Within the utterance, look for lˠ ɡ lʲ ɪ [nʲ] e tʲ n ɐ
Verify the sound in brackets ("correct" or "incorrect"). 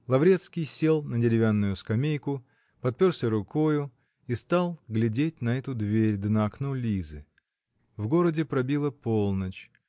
incorrect